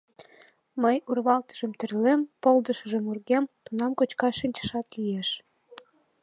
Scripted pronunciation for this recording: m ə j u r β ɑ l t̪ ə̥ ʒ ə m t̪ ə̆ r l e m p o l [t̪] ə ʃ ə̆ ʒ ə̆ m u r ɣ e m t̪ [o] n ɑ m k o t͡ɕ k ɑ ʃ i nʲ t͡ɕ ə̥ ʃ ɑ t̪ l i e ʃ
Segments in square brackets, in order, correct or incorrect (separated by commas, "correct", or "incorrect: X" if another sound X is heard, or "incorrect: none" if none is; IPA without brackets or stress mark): incorrect: d̪, incorrect: u